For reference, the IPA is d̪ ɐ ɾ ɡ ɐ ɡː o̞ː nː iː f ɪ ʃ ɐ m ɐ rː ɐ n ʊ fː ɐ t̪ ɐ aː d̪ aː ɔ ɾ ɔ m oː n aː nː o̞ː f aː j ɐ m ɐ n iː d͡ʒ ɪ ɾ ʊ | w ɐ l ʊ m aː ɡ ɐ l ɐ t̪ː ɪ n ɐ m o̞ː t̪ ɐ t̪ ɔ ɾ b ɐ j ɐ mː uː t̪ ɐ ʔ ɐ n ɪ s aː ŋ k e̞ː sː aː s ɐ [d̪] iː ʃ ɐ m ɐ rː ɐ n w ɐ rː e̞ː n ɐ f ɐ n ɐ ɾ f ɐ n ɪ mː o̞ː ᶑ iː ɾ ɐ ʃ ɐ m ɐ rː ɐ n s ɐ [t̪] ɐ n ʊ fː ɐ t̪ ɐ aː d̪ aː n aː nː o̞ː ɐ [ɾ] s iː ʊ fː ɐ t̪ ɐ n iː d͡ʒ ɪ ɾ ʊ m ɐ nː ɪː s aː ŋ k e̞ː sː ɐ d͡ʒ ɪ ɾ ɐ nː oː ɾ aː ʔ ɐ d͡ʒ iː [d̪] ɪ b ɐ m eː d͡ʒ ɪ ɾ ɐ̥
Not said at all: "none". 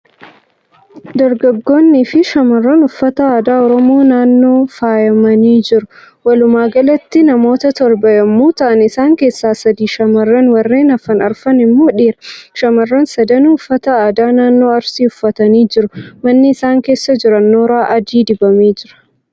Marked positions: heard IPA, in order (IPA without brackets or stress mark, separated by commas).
d̪, d̪, ɾ, d̪